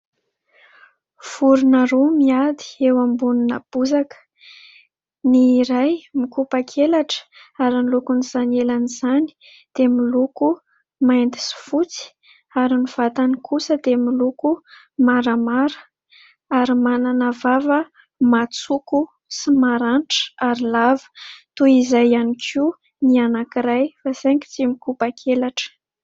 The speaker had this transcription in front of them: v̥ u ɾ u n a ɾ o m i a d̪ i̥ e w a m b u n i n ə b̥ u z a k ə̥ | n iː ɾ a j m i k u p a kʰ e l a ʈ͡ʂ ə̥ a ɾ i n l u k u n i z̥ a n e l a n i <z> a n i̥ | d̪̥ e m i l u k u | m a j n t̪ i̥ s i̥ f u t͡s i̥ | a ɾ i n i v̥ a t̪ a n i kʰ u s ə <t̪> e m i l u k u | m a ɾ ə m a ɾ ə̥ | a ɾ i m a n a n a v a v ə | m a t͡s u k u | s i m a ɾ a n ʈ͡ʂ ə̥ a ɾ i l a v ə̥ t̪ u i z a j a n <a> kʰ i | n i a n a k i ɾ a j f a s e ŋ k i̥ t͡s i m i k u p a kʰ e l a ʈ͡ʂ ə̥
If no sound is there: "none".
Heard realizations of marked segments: z, d̪, i

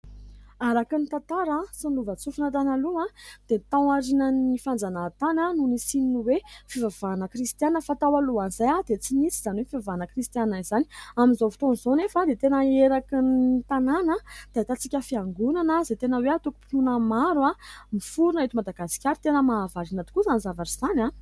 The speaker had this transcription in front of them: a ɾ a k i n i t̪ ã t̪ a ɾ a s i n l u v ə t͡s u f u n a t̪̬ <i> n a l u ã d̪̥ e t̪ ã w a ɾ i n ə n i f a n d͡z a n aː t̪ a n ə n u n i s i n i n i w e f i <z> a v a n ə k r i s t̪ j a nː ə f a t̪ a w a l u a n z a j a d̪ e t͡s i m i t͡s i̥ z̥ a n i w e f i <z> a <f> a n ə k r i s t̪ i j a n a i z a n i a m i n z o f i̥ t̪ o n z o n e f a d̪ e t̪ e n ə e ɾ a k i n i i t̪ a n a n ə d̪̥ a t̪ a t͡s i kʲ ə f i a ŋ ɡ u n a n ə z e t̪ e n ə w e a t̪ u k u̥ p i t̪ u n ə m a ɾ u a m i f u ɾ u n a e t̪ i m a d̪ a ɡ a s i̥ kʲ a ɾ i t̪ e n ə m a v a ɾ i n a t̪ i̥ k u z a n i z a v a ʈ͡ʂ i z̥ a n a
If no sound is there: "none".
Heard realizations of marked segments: a, v, v, v

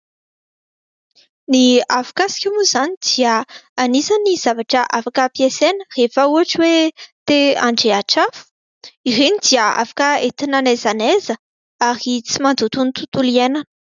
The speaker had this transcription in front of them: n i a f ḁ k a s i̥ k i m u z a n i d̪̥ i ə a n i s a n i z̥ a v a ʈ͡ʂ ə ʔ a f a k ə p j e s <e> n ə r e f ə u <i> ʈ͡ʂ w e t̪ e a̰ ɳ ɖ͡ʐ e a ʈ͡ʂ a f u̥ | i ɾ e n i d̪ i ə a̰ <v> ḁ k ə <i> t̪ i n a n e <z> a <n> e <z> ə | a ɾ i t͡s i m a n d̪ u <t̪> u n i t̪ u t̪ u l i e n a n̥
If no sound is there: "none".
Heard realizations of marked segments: e, a, f, e, z, n, z, t̪

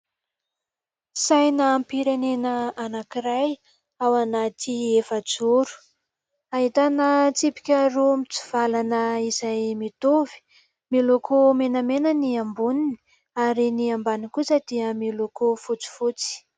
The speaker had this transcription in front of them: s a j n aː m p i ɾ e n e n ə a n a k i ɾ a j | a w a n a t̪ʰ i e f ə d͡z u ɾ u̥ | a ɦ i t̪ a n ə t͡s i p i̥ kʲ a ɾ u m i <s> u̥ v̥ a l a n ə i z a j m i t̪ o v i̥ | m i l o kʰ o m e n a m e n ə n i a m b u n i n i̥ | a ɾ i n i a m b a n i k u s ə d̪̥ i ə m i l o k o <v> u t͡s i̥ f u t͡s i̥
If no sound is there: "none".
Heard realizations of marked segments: t͡s, f

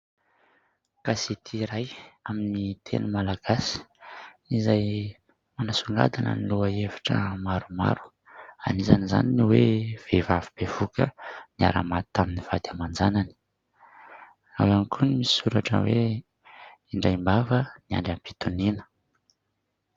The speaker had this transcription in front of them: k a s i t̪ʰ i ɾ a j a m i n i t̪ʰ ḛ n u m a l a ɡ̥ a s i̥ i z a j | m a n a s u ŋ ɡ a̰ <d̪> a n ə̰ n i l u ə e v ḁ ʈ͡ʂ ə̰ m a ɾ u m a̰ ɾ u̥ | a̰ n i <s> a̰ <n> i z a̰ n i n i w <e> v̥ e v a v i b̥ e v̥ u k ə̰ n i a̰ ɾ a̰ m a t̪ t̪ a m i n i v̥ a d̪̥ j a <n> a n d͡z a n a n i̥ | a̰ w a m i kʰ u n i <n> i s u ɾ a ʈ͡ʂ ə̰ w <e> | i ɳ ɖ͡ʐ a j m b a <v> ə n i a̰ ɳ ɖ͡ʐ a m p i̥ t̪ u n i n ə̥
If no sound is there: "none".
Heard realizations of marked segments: d̪, z, n, e, m, m, e, v

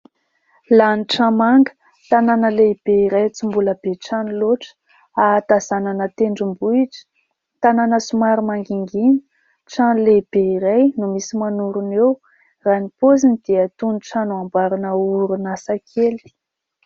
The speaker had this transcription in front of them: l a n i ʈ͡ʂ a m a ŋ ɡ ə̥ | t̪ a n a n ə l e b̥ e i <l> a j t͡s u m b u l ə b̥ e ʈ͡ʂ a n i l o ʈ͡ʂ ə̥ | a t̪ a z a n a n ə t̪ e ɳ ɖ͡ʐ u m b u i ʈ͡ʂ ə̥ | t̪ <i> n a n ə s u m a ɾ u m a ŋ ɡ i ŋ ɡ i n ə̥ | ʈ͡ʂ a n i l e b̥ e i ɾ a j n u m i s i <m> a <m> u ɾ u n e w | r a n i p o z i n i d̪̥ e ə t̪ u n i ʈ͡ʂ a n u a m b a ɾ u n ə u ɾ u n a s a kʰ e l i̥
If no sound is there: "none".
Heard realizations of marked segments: ɾ, a, m, n

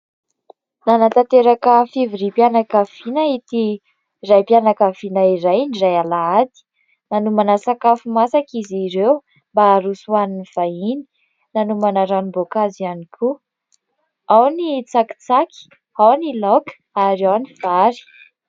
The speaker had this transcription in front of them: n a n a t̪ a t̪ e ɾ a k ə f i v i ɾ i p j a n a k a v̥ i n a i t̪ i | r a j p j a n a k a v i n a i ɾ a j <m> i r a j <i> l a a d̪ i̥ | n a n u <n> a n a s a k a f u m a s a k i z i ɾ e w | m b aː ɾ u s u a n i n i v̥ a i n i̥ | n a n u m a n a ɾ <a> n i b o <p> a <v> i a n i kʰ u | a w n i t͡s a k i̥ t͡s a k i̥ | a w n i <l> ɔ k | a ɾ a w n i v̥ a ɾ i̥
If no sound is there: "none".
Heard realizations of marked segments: n, a, m, a, k, z, l

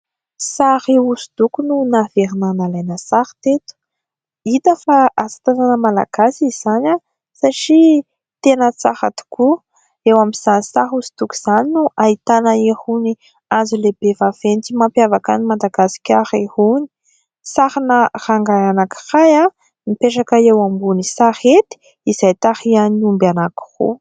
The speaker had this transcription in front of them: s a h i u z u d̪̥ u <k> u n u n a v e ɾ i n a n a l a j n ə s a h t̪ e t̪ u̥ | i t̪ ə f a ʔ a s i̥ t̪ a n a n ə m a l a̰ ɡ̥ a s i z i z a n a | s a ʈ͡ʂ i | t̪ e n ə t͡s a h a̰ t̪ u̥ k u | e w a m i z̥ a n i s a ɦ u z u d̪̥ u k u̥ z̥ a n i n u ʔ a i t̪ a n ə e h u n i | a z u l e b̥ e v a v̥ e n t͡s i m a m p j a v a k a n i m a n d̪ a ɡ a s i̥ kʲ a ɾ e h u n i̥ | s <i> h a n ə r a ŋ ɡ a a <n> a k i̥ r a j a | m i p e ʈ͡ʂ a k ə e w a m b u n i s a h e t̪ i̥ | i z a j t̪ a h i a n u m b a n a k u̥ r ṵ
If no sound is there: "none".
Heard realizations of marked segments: k, a, n

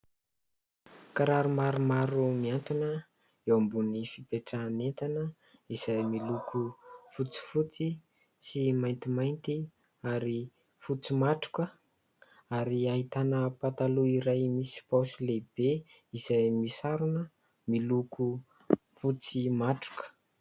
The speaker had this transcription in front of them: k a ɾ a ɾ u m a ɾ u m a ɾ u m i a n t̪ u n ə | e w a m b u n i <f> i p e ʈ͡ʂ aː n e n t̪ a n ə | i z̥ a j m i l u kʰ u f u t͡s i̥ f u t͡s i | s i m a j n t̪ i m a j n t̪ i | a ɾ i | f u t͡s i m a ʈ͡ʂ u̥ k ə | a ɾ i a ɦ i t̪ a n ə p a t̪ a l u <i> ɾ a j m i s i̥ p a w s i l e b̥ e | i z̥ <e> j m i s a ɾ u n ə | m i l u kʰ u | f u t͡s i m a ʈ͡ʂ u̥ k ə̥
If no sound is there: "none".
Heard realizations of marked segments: f, i, a

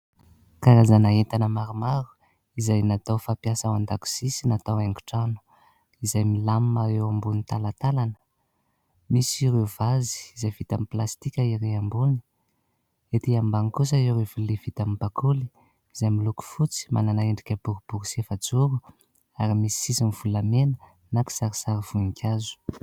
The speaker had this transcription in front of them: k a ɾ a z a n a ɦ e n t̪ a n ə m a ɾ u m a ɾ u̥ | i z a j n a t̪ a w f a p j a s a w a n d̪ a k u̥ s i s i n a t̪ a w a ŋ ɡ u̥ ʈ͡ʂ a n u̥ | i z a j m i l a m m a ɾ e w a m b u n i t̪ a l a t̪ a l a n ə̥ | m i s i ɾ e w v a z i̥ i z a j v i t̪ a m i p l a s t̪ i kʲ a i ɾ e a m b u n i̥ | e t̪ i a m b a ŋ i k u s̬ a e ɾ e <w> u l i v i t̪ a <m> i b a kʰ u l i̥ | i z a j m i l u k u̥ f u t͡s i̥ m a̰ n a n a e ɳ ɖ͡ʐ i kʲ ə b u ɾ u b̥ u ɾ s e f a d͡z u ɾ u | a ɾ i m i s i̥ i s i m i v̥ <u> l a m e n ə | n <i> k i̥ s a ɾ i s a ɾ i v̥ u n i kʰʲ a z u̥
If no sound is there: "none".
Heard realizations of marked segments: v, m, u, a

